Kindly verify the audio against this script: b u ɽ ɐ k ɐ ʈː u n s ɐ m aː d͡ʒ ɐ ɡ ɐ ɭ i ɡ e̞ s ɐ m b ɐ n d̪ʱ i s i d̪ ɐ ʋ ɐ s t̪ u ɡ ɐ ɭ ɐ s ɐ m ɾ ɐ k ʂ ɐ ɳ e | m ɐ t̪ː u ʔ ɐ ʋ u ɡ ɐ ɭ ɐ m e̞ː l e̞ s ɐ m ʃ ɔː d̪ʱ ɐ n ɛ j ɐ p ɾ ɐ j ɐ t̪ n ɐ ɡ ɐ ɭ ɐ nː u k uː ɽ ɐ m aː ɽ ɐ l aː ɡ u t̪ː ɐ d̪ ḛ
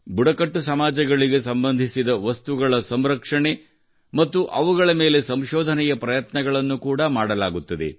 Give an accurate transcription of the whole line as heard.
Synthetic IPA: b u ɽ ɐ k ɐ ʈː u s ɐ m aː d͡ʒ ɐ ɡ ɐ ɭ i ɡ e̞ s ɐ m b ɐ n d̪ʱ i s i d̪ ɐ ʋ ɐ s t̪ u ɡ ɐ ɭ ɐ s ɐ m ɾ ɐ k ʂ ɐ ɳ e | m ɐ t̪ː u ʔ ɐ ʋ u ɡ ɐ ɭ ɐ m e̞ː l e̞ s ɐ m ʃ ɔː d̪ʱ ɐ n ɛ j ɐ p ɾ ɐ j ɐ t̪ n ɐ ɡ ɐ ɭ ɐ nː u k uː ɽ ɐ m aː ɽ ɐ l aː ɡ u t̪ː ɐ d̪ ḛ